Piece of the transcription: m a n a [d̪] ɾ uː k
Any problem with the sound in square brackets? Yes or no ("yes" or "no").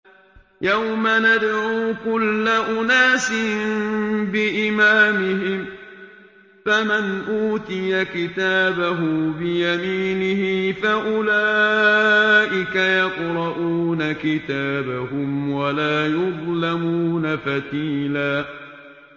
no